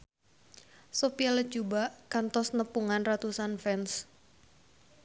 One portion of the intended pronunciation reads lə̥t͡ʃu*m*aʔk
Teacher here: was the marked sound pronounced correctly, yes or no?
no